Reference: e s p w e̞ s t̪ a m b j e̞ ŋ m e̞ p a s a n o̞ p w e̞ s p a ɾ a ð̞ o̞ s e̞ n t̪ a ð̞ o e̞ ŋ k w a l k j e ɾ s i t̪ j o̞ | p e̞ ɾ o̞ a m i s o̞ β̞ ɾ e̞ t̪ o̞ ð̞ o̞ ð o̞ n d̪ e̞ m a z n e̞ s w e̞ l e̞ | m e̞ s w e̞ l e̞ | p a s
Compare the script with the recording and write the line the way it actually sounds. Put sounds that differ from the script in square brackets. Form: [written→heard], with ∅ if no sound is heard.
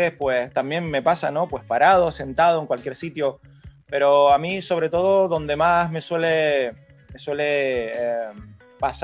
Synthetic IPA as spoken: e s p w e̞ s t̪ a m b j e̞ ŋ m e̞ p a s a n o̞ p w e̞ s p a ɾ a ð̞ o̞ s e̞ n t̪ a ð̞ o e̞ ŋ k w a l k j e ɾ s i t̪ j o̞ | p e̞ ɾ o̞ a m i s o̞ β̞ ɾ e̞ t̪ o̞ ð̞ o̞ ð o̞ n d̪ e̞ m a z [n→m] e̞ s w e̞ l e̞ | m e̞ s w e̞ l e̞ | p a s

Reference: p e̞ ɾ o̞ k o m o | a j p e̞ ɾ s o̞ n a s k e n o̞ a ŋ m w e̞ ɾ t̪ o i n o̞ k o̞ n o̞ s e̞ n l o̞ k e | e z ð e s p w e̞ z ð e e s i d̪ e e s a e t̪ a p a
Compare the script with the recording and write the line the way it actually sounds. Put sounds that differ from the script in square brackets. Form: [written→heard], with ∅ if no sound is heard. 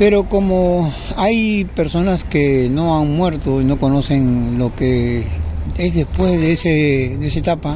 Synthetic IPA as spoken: p e̞ ɾ o̞ k o m o | a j p e̞ ɾ s o̞ n a s k e n o̞ a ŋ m w e̞ ɾ t̪ o i n o̞ k o̞ n o̞ s e̞ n l o̞ k e | e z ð e s p w e̞ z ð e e s [i→e] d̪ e e s a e t̪ a p a

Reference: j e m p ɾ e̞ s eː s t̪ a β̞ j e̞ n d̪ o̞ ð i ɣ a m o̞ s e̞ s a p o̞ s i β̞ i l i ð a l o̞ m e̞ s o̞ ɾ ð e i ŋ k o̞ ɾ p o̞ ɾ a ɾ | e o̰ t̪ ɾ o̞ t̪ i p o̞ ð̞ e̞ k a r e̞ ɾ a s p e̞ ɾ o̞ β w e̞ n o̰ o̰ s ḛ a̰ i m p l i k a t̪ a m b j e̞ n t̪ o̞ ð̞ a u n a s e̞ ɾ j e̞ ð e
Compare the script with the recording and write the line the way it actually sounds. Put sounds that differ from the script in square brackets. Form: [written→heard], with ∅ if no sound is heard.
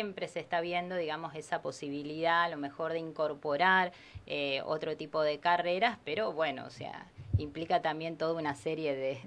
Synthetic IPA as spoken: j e m p ɾ e̞ s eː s t̪ a β̞ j e̞ n d̪ o̞ ð i ɣ a m o̞ s e̞ s a p o̞ s i β̞ i l i ð a l o̞ m e̞ [s→x] o̞ ɾ ð e i ŋ k o̞ ɾ p o̞ ɾ a ɾ | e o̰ t̪ ɾ o̞ t̪ i p o̞ ð̞ e̞ k a r e̞ ɾ a s p e̞ ɾ o̞ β w e̞ n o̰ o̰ s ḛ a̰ i m p l i k a t̪ a m b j e̞ n t̪ o̞ ð̞ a u n a s e̞ ɾ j e̞ ð e

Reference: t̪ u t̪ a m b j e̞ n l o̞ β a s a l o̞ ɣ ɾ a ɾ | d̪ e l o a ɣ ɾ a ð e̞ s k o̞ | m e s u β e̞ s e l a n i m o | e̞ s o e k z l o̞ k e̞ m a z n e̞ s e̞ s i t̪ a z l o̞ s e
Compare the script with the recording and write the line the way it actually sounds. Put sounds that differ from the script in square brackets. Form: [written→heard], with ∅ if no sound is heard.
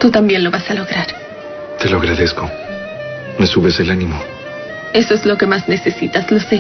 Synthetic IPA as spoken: t̪ u t̪ a m b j e̞ n l o̞ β a s a l o̞ ɣ ɾ a ɾ | [d̪→t̪] e l o a ɣ ɾ a ð e̞ s k o̞ | m e s u β e̞ s e l a n i m o | e̞ s o e [k→∅] z l o̞ k e̞ m a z n e̞ s e̞ s i t̪ a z l o̞ s e

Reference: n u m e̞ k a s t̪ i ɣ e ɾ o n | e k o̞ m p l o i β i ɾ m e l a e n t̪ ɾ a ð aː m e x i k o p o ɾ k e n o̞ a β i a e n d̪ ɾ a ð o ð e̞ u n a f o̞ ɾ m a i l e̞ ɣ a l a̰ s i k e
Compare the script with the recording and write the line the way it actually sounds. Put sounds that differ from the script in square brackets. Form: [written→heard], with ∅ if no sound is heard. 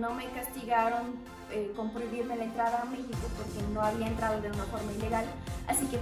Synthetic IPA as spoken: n [u→o] m e̞ k a s t̪ i ɣ [e→a] ɾ o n | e k o̞ m p [l→ɾ] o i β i ɾ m e l a e n t̪ ɾ a ð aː m e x i k o p o ɾ k e n o̞ a β i a e n [d̪→t̪] ɾ a ð o ð e̞ u n a f o̞ ɾ m a i l e̞ ɣ a l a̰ s i k e

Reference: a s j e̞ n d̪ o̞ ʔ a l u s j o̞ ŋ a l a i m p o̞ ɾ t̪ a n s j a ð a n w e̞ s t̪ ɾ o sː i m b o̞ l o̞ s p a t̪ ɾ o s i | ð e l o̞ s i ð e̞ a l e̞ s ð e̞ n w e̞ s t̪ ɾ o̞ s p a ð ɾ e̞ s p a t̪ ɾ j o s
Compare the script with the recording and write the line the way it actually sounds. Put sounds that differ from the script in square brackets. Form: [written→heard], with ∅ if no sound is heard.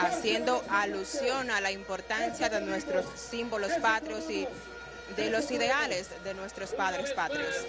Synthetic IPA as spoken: a s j e̞ n d̪ o̞ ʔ a l u s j o̞ [ŋ→n] a l a i m p o̞ ɾ t̪ a n s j a ð [a→e] n w e̞ s t̪ ɾ o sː i m b o̞ l o̞ s p a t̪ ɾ o s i | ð e l o̞ s i ð e̞ a l e̞ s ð e̞ n w e̞ s t̪ ɾ o̞ s p a ð ɾ e̞ s p a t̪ ɾ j o s

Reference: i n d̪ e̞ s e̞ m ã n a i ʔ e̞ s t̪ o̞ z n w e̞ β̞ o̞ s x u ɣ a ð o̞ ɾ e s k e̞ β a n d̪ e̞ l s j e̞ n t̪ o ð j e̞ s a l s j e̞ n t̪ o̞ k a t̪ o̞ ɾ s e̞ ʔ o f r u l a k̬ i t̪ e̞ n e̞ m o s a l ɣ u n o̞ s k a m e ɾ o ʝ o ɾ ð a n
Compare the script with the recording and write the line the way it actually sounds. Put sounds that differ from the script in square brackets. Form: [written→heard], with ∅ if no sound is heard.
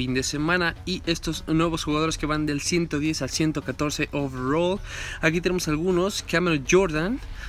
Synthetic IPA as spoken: i n d̪ e̞ s e̞ m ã n a i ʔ e̞ s t̪ o̞ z n w e̞ β̞ o̞ s x u ɣ a ð o̞ ɾ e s k e̞ β a n d̪ e̞ l s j e̞ n t̪ o ð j e̞ s a l s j e̞ n t̪ o̞ k a t̪ o̞ ɾ s e̞ ʔ o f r [u→o] l a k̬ i t̪ e̞ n e̞ m o s a l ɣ u n o̞ s k a m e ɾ o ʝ o ɾ ð a n

